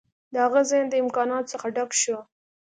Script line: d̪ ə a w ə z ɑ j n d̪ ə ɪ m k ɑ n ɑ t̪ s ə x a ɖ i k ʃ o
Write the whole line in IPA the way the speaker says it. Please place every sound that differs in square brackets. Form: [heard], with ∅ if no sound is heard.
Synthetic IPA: d̪ ə a [ɣ] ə z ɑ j n d̪ ə ɪ m k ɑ n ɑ t̪ s ə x a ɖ [a] k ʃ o